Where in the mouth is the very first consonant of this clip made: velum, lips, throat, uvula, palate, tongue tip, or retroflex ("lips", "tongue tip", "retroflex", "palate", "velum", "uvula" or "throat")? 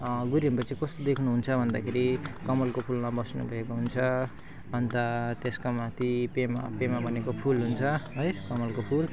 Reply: velum